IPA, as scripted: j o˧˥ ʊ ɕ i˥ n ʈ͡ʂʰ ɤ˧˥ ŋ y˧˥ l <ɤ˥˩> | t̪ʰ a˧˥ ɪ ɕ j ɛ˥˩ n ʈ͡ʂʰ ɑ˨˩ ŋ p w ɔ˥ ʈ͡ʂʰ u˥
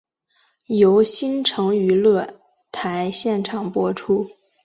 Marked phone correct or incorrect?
correct